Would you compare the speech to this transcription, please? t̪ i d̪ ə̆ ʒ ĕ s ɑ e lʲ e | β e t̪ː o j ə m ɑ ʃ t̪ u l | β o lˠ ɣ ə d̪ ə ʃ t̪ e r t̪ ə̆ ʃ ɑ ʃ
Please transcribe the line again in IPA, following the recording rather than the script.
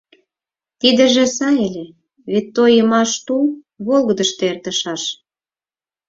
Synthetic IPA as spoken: t̪ i d̪ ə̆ ʒ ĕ s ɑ e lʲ e | β e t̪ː o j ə m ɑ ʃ t̪ u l | β o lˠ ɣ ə d̪ ə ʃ t̪ e r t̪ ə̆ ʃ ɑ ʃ

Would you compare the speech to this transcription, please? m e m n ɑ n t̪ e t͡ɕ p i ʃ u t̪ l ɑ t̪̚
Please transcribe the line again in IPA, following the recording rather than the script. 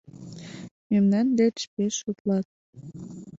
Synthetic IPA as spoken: m e m n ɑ n d̪ e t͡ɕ p e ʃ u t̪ l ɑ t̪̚

